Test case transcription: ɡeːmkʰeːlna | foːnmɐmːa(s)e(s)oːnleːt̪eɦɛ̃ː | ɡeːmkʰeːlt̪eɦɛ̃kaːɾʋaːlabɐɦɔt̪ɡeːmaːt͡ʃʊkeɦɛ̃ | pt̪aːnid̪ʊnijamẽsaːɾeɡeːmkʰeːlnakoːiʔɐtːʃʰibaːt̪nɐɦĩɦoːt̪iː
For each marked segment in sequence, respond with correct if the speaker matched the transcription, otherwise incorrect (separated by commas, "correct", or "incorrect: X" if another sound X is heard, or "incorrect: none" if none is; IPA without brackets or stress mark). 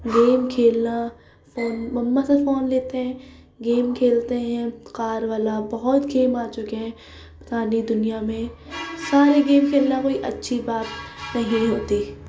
correct, incorrect: f